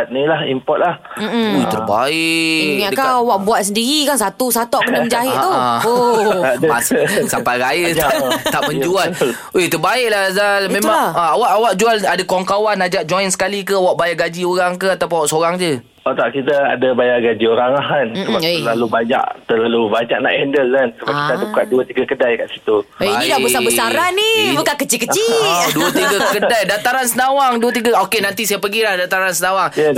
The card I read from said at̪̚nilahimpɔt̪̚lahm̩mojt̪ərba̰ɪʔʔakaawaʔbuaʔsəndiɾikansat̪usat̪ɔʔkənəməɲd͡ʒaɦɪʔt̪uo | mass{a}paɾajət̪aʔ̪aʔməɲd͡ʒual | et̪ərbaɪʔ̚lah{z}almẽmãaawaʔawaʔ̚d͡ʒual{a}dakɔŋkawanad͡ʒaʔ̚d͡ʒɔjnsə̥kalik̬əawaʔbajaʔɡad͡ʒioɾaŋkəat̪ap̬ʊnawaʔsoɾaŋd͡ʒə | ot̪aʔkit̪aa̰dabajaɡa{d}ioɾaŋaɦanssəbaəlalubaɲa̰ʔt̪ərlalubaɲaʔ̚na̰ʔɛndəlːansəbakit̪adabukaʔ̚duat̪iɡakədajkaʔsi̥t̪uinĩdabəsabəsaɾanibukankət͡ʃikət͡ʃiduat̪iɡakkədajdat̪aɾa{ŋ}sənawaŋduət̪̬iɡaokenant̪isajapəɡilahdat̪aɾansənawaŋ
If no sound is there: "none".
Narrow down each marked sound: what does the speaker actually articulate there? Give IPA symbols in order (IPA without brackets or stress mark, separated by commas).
a, z, a, d͡ʒ, n